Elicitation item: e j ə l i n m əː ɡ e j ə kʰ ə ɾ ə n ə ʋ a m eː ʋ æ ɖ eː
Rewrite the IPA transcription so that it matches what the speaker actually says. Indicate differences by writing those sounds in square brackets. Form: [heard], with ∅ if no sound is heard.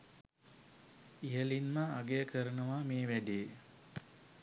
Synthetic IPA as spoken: [i] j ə l i n m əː ɡ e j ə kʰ ə ɾ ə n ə ʋ a m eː ʋ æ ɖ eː